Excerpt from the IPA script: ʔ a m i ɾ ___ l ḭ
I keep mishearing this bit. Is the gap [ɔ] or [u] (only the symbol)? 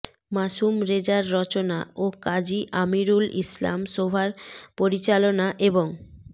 u